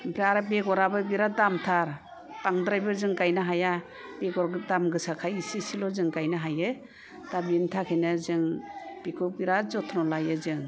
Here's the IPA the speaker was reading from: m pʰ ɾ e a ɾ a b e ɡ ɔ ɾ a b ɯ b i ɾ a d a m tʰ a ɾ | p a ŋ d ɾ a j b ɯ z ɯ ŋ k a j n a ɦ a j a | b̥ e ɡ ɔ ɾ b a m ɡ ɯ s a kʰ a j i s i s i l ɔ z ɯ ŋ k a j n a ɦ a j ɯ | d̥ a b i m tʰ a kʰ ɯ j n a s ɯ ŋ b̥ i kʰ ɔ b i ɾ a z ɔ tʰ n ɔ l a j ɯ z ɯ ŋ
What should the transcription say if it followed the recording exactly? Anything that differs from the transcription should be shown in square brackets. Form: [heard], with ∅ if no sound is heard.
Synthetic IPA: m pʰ ɾ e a ɾ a b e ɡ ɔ ɾ a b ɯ b i ɾ a d a m tʰ a ɾ | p a ŋ d ɾ a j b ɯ z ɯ ŋ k a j n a ɦ a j a | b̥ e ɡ ɔ ɾ [d] a m ɡ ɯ s a kʰ a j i s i s i l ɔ z ɯ ŋ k a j n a ɦ a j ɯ | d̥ a b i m tʰ a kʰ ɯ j n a [z] ɯ ŋ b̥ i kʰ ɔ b i ɾ a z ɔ tʰ n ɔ l a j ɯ z ɯ ŋ